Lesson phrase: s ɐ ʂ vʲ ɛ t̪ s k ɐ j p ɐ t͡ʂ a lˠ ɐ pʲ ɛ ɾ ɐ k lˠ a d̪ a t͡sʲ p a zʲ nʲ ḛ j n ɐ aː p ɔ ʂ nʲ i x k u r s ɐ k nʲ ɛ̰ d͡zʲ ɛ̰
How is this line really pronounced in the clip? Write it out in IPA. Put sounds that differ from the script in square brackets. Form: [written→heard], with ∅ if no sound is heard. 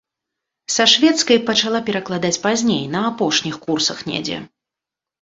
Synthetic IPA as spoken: s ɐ ʂ vʲ ɛ t̪ s k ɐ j p ɐ t͡ʂ a lˠ [ɐ→a] pʲ ɛ ɾ ɐ k lˠ a d̪ a t͡sʲ p a zʲ nʲ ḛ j n ɐ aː p ɔ ʂ nʲ i x k u r s ɐ [k→x] nʲ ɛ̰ d͡zʲ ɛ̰